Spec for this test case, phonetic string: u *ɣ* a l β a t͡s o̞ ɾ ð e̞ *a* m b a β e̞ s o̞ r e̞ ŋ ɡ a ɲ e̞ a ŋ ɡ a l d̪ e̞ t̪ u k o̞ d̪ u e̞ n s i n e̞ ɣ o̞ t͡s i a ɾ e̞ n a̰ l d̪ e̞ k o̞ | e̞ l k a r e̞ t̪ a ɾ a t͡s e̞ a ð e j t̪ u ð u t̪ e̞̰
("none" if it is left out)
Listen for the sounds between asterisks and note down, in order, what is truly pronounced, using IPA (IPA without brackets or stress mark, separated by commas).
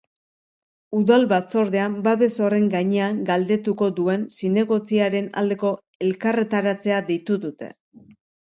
ð, a